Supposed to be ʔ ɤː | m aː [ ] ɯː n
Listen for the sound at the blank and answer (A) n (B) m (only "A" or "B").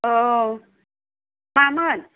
B